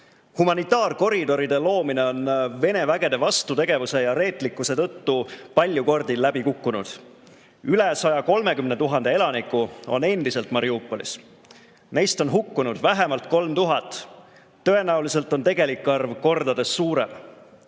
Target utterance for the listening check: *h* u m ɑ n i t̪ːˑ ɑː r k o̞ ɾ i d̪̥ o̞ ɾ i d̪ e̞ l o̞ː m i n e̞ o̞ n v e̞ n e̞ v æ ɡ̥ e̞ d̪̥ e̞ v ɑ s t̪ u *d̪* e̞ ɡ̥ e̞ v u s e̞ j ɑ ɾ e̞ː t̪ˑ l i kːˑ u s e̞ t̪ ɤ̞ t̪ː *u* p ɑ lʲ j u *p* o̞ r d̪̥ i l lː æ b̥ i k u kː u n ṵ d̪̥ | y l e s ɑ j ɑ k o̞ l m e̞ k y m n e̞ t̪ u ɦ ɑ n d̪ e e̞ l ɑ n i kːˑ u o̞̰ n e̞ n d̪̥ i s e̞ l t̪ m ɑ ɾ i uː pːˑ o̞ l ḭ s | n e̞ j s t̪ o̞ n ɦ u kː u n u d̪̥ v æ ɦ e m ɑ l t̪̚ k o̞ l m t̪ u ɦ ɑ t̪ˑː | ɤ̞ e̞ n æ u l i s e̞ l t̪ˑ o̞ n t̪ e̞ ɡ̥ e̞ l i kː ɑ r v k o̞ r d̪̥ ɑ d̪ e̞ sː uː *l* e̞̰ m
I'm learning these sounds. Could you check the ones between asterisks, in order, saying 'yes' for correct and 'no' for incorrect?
yes, no, yes, no, no

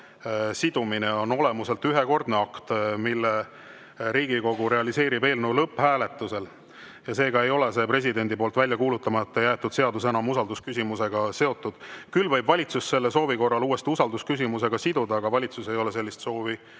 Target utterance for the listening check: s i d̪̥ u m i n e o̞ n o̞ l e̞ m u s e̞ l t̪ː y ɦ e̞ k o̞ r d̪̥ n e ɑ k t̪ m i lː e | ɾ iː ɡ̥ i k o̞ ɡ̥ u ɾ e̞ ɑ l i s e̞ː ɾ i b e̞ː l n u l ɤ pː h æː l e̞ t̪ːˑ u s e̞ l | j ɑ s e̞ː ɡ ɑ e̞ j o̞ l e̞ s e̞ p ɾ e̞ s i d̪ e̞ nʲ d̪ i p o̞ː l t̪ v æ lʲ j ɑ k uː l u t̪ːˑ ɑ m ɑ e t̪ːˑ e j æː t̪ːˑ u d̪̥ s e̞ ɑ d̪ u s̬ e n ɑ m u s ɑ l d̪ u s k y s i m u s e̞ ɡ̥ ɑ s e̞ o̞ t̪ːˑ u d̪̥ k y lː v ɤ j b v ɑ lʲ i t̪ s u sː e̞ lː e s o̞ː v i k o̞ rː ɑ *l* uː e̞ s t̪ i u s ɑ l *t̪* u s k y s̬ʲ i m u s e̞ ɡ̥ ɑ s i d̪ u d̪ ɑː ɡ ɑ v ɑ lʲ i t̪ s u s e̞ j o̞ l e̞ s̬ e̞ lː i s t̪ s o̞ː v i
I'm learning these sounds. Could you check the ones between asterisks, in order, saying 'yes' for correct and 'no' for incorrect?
yes, no

